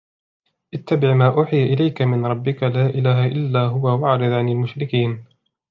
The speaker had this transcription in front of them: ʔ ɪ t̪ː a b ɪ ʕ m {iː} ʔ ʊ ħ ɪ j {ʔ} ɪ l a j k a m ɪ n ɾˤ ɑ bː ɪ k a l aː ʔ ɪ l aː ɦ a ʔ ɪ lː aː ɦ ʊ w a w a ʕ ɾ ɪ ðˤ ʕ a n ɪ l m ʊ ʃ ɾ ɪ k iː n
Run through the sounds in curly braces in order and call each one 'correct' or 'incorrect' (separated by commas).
incorrect, correct